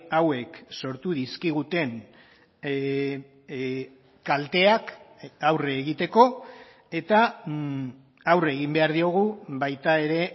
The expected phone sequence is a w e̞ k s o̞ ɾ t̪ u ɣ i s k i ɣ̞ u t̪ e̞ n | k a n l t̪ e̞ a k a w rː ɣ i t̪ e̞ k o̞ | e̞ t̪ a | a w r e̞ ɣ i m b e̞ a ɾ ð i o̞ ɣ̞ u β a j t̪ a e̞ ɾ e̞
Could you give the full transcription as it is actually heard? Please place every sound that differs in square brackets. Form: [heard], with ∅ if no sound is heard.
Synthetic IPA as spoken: a w e̞ k s o̞ ɾ t̪ u [ð] i s k i ɣ̞ u t̪ e̞ n | k a [∅] l t̪ e̞ a k a w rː ɣ i t̪ e̞ k o̞ | e̞ t̪ a | a w r e̞ ɣ i m b e̞ a ɾ ð i o̞ ɣ̞ u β a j t̪ a e̞ ɾ e̞